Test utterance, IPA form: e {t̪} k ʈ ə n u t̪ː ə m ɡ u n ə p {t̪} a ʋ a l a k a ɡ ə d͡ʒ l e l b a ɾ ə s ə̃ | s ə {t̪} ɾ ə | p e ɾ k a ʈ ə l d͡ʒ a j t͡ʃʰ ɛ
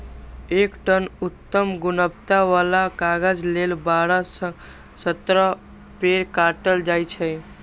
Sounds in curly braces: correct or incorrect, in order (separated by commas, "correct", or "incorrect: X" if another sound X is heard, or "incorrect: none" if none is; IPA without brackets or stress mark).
incorrect: none, correct, correct